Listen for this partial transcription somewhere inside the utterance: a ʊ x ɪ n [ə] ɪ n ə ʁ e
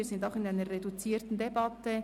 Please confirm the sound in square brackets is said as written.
no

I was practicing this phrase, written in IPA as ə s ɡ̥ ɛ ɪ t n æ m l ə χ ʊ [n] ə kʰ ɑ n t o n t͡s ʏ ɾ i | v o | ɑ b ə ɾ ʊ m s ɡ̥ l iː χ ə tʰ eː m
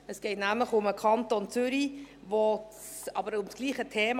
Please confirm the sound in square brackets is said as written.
no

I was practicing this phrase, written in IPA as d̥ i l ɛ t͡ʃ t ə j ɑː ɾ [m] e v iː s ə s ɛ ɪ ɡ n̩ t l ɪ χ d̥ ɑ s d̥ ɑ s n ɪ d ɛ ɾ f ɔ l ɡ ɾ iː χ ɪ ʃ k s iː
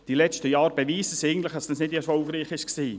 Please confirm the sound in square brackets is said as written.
no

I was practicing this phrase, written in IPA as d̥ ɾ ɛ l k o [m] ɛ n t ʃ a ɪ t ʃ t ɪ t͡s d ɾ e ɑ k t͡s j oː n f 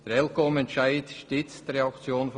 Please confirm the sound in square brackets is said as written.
yes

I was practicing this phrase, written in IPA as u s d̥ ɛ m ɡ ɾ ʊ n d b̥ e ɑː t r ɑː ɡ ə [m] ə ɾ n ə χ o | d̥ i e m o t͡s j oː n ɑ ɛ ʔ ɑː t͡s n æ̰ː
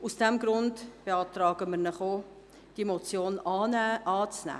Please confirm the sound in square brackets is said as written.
yes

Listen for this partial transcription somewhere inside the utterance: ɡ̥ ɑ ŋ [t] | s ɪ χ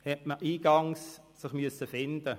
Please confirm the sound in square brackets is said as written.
no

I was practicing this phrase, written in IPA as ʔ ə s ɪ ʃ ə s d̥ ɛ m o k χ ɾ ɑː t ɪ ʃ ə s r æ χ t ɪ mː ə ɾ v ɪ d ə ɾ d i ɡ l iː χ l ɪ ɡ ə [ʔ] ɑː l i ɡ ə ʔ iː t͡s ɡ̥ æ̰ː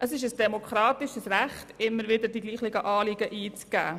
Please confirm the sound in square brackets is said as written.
yes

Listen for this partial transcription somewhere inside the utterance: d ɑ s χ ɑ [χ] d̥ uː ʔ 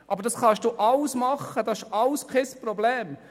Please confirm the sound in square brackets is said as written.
no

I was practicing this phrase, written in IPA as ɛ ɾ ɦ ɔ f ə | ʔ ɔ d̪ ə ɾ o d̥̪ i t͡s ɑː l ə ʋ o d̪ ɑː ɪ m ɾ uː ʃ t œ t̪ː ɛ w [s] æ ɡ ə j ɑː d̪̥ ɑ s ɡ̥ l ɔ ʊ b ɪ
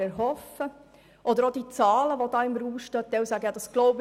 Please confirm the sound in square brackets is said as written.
yes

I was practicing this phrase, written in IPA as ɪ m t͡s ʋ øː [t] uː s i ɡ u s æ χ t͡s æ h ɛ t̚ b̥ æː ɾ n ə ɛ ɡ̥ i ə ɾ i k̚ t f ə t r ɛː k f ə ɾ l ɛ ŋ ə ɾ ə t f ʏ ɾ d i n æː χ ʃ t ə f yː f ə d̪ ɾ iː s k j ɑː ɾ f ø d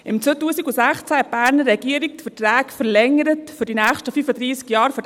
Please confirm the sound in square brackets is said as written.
yes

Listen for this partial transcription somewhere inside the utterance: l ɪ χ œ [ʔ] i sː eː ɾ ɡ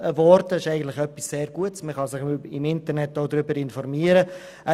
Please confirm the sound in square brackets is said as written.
no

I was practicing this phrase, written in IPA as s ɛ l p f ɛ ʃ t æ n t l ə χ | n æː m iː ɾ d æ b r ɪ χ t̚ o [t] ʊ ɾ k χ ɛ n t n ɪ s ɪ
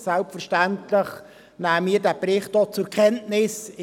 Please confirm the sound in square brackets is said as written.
no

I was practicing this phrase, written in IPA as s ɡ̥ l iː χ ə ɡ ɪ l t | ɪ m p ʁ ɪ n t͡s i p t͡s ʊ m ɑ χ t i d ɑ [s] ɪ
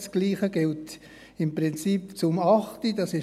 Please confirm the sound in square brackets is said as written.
yes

